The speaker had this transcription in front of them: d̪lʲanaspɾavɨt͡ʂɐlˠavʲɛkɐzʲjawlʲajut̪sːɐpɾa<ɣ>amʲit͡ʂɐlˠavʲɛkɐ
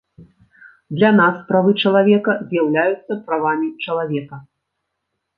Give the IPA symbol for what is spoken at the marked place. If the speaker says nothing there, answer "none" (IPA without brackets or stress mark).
v